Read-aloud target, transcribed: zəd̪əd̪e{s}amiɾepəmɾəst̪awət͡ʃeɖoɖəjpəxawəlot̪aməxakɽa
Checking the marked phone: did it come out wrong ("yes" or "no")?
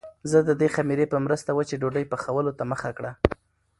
yes